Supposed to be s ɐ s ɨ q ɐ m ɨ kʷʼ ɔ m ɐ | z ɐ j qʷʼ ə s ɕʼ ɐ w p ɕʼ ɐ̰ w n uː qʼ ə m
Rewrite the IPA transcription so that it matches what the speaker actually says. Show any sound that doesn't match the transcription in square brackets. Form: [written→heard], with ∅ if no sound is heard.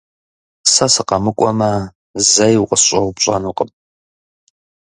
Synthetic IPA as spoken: s ɐ s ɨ q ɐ m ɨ kʷʼ ɔ m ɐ | z ɐ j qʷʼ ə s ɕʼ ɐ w p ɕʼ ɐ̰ [w→∅] n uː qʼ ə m